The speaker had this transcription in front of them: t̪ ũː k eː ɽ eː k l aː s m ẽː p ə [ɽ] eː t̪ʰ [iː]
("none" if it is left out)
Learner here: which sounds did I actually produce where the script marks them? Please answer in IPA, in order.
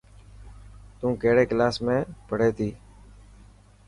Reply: ɽ, iː

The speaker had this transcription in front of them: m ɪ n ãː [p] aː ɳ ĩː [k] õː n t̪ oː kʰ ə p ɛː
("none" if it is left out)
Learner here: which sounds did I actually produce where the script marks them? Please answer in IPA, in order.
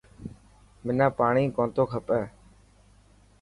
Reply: p, k

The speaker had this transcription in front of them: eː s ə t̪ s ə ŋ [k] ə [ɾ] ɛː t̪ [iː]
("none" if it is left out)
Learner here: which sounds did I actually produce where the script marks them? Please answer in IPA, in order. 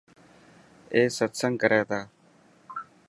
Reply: k, ɾ, aː

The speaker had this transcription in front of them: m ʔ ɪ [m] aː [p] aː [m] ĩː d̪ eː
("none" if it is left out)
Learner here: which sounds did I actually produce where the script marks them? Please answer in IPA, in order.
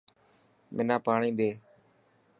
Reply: n, p, ɳ

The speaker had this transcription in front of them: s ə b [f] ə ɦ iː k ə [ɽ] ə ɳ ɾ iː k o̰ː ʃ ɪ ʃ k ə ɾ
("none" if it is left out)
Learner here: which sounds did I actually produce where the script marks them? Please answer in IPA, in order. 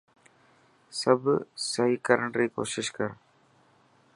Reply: s, ɾ

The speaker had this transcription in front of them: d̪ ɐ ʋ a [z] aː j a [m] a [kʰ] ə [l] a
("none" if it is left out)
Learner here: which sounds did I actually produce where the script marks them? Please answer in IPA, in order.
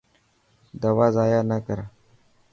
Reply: z, n, k, ɾ

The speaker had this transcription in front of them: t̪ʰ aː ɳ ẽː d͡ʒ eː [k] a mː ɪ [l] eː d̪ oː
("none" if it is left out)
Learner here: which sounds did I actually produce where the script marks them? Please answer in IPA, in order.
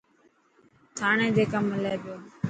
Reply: k, l

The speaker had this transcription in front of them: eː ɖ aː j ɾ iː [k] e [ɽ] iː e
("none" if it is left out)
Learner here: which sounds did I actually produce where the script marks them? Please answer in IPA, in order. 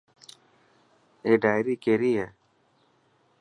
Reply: k, ɾ

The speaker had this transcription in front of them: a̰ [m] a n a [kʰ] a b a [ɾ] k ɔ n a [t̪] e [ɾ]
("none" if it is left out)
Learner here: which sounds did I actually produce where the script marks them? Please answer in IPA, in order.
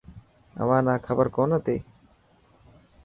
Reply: m, kʰ, ɾ, t̪, none

